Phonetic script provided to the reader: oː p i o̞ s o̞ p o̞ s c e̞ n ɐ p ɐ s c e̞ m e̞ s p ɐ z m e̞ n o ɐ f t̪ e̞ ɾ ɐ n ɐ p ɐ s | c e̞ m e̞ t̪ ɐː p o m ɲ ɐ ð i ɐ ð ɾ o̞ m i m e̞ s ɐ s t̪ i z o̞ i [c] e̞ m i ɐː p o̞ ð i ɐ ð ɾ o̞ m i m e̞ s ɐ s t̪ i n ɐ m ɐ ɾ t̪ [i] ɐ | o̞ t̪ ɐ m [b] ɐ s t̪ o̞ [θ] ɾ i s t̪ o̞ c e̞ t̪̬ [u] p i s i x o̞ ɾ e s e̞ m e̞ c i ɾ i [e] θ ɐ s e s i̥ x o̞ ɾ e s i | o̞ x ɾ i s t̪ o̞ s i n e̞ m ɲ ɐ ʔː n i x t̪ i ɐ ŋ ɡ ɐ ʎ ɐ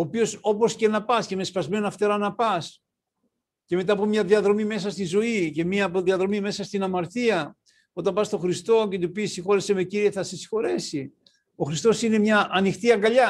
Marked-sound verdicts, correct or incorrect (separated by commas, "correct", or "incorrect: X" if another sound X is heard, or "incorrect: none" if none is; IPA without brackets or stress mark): correct, correct, correct, incorrect: x, correct, correct